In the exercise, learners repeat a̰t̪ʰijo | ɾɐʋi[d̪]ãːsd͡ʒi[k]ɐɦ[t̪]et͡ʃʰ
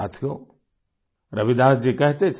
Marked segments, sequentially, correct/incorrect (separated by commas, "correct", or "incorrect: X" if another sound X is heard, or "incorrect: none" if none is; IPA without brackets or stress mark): correct, correct, correct